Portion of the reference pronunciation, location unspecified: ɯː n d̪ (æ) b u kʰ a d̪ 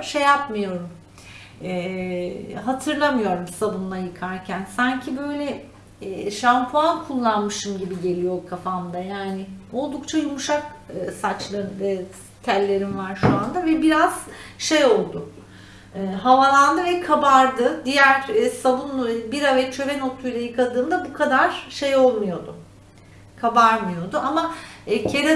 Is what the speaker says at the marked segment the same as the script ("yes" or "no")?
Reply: no